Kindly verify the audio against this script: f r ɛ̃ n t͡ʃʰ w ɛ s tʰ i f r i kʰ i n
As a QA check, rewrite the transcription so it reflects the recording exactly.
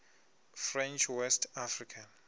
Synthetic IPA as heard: f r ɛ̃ n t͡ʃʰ w ɛ s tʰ a f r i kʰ a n